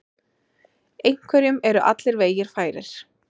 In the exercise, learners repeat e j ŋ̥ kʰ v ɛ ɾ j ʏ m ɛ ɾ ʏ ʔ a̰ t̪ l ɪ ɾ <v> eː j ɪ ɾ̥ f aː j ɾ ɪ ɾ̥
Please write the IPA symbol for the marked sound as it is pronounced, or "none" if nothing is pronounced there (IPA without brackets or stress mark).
v